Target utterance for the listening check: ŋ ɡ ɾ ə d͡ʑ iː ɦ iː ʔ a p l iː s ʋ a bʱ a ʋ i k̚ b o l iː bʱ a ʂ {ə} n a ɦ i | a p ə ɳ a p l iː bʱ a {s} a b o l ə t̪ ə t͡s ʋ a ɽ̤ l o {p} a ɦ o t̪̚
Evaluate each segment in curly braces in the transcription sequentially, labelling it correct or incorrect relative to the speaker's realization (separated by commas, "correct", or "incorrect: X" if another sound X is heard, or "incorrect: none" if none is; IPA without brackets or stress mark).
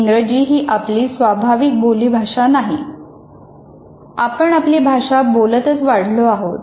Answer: incorrect: a, incorrect: ʂ, incorrect: none